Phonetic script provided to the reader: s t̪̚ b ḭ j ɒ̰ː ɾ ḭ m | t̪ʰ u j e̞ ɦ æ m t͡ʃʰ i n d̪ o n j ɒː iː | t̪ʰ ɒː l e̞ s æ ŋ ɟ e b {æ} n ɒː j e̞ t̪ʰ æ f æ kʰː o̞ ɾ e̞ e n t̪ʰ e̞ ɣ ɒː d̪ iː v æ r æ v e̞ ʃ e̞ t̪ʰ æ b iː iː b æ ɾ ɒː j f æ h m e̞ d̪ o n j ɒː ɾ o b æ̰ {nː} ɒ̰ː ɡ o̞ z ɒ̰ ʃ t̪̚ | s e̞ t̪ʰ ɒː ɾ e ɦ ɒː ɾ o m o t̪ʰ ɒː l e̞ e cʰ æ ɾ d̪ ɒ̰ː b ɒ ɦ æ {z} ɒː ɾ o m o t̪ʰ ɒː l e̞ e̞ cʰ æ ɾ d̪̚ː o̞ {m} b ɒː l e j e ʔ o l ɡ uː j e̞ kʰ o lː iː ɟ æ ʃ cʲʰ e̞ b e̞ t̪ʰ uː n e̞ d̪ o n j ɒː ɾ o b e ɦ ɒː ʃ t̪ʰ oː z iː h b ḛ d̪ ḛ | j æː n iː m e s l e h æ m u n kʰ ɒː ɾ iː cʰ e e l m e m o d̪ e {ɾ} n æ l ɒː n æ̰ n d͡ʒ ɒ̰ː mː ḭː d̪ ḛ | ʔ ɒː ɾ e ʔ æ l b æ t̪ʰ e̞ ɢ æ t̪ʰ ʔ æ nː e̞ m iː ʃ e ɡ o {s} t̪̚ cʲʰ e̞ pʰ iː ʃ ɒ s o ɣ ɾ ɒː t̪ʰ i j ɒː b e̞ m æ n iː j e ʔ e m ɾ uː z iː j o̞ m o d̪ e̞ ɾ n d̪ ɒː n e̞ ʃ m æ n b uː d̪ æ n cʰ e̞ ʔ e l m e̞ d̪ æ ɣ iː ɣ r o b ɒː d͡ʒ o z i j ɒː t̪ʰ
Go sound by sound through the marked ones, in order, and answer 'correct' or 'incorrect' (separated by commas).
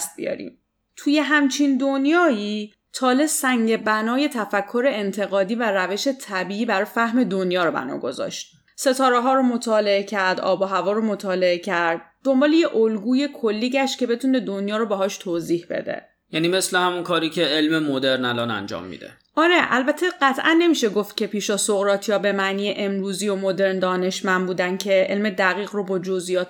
correct, incorrect, incorrect, correct, correct, incorrect